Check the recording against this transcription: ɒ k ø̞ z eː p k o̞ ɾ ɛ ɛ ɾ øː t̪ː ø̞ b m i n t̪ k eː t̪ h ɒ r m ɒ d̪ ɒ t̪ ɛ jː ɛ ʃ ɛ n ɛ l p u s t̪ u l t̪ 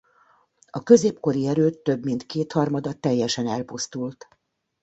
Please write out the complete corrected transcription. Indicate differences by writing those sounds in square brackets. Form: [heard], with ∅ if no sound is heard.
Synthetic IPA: ɒ k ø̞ z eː p k o̞ ɾ [i] ɛ ɾ øː t̪ː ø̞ b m i n t̪ k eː t̪ h ɒ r m ɒ d̪ ɒ t̪ ɛ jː ɛ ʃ ɛ n ɛ l p u s t̪ u l t̪

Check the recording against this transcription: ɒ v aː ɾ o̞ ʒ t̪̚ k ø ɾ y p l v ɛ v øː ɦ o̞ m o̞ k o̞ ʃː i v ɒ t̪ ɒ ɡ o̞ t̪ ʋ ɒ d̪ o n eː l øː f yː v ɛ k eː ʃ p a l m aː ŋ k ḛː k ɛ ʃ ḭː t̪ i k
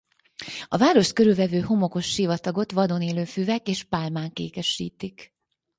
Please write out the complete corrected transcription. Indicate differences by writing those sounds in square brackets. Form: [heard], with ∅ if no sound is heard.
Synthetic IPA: ɒ v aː ɾ o̞ [ʃ] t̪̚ k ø ɾ y [∅] l v ɛ v øː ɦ o̞ m o̞ k o̞ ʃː i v ɒ t̪ ɒ ɡ o̞ t̪ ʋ ɒ d̪ o n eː l øː f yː v ɛ k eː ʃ p a l m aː ŋ k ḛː k ɛ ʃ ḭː t̪ i k

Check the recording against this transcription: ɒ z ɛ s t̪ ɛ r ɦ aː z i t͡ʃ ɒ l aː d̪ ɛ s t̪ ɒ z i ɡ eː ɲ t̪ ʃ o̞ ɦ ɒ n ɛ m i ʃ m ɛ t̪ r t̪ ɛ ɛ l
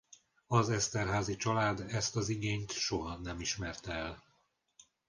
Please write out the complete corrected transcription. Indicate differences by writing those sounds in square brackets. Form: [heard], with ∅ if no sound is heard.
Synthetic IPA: ɒ z ɛ s t̪ ɛ r ɦ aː z i t͡ʃ ɒ l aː d̪ ɛ s t̪ ɒ z i ɡ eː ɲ t̪ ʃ o̞ ɦ ɒ n ɛ m i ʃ m ɛ [∅] r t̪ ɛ ɛ l

